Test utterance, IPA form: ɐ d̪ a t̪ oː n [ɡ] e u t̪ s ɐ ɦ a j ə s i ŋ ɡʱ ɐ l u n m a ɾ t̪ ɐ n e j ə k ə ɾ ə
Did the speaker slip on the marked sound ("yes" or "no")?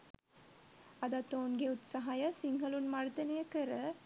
no